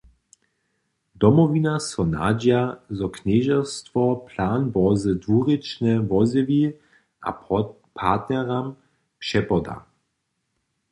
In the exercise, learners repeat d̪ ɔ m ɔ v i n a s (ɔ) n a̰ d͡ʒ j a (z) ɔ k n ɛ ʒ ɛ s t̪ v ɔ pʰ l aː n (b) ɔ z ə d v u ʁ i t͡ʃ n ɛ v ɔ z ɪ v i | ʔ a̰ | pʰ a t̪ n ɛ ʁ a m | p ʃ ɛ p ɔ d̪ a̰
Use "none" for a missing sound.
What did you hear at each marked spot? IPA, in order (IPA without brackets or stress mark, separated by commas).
ɔ, z, b